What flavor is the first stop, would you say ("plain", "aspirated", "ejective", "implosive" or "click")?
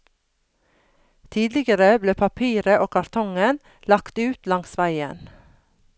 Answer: aspirated